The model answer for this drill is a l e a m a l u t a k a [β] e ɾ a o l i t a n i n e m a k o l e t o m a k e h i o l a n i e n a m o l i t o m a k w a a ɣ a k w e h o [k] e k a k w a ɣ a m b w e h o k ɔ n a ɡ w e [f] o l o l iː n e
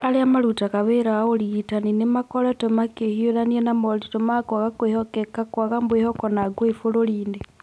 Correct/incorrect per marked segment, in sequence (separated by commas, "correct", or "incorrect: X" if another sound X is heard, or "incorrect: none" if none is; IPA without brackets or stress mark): correct, correct, correct